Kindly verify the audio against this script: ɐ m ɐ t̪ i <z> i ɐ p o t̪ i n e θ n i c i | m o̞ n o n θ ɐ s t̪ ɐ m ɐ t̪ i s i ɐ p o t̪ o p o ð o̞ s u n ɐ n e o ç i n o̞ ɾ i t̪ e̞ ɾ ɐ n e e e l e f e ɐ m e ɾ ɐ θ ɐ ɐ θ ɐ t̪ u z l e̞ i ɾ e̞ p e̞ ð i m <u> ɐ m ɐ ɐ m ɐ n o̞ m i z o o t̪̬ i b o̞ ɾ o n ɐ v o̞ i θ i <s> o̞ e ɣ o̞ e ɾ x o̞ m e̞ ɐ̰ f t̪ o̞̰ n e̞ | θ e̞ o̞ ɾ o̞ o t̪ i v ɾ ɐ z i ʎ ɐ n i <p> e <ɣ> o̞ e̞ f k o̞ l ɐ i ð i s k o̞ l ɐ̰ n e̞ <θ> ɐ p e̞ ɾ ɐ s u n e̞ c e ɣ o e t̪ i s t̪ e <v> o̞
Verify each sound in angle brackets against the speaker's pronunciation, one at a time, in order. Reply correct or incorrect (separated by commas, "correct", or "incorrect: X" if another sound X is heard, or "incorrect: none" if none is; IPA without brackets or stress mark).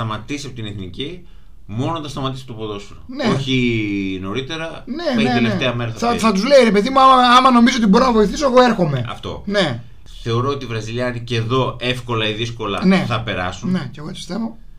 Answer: incorrect: s, correct, correct, incorrect: c, incorrect: ð, correct, correct